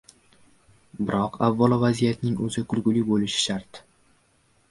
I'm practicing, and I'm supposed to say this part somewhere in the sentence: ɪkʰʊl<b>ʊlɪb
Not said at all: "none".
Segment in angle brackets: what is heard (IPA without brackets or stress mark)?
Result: ɡ